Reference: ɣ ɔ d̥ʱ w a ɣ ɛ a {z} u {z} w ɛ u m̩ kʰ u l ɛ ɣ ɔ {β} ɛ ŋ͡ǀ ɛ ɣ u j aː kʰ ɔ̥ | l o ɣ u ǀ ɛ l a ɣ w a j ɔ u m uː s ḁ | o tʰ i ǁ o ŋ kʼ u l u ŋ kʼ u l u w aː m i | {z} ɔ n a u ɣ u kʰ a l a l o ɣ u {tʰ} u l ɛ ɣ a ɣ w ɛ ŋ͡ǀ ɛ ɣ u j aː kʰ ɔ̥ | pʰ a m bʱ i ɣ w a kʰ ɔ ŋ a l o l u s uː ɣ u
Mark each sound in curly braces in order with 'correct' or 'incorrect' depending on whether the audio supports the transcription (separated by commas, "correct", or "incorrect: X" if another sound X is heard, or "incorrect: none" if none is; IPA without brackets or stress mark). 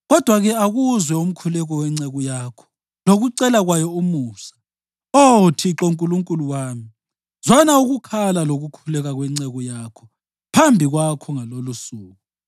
incorrect: ɣ, correct, incorrect: w, correct, incorrect: kʰ